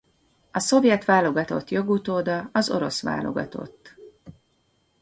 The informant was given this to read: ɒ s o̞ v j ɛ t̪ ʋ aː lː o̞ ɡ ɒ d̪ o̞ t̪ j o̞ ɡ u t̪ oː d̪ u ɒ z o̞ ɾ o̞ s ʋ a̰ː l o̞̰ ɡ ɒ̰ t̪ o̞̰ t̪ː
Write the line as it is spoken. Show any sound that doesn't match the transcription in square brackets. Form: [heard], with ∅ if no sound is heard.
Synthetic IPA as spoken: ɒ s o̞ v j ɛ t̪ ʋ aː [l] o̞ ɡ ɒ [t̪] o̞ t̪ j o̞ ɡ u t̪ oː d̪ [ɒ] ɒ z o̞ ɾ o̞ s ʋ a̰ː l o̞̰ ɡ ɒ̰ t̪ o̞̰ t̪ː